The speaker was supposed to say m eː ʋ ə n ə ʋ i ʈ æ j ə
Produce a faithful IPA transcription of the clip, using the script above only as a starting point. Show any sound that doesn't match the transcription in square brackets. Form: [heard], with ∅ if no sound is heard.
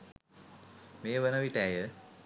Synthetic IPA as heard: m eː ʋ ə n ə ʋ i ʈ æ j ə